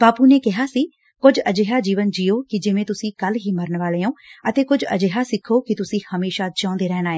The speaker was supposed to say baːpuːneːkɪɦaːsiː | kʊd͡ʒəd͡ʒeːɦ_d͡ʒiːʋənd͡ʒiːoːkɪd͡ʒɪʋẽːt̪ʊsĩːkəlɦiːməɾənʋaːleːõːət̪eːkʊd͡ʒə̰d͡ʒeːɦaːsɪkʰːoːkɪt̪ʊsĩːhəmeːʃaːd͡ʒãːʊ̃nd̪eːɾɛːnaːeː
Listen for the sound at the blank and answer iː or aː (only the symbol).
aː